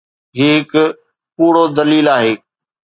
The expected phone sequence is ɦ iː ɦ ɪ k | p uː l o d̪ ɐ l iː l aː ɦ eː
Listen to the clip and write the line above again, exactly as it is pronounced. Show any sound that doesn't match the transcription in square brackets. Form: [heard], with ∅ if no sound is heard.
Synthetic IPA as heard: ɦ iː ɦ ɪ k | p uː [ɽ] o d̪ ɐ l iː l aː ɦ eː